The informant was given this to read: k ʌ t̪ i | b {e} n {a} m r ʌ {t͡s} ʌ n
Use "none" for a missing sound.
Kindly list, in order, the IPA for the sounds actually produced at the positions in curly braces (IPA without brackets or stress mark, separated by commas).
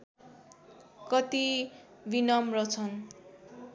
i, ʌ, t͡sʰ